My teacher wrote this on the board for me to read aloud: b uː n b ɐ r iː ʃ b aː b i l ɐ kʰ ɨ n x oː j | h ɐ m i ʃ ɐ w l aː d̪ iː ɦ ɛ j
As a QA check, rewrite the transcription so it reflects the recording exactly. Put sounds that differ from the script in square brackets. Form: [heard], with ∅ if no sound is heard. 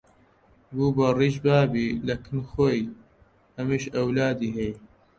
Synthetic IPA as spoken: b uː [∅] b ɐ r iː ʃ b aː b i l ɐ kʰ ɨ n x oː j | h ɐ m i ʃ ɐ w l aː d̪ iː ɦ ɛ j